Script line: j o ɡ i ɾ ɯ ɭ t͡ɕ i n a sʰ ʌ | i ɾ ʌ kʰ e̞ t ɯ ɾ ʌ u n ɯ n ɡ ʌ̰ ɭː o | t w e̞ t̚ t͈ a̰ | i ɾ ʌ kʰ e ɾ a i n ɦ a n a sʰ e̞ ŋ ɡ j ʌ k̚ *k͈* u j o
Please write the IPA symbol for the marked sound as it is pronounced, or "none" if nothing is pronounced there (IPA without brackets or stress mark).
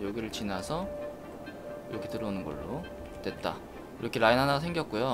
k͈